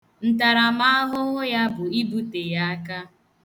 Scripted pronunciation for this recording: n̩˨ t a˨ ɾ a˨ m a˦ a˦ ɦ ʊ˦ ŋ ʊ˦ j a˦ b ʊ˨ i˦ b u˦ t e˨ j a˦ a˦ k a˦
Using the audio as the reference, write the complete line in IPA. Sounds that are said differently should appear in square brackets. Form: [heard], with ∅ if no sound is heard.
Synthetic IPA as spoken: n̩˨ t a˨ ɾ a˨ m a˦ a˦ ɦ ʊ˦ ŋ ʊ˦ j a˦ b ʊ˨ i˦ b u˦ t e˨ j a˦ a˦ k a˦